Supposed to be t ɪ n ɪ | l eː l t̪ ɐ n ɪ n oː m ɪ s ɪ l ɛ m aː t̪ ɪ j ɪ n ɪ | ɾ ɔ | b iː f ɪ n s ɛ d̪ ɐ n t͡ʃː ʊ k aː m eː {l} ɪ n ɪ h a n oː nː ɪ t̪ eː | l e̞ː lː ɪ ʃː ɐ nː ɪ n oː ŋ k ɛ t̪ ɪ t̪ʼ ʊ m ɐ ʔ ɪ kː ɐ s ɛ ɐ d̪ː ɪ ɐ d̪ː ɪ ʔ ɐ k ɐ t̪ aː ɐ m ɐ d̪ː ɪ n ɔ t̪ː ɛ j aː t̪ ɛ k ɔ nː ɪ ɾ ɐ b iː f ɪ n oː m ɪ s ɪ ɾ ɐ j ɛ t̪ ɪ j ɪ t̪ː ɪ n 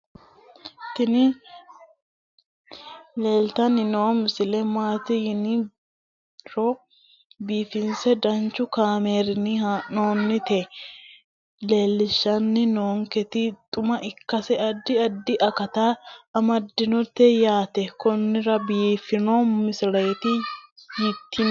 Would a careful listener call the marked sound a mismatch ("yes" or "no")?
yes